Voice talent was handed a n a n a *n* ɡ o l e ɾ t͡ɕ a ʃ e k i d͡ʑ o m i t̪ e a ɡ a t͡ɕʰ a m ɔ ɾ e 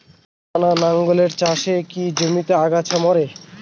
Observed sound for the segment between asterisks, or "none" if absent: ŋ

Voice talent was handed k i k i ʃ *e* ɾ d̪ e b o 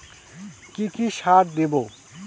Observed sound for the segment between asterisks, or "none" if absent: a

